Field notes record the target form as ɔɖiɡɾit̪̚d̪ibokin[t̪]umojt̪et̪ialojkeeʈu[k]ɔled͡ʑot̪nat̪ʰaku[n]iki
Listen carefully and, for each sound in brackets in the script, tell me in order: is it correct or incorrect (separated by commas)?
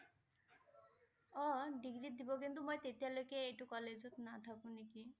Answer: correct, correct, correct